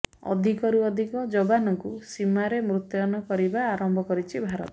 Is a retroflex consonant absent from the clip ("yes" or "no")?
yes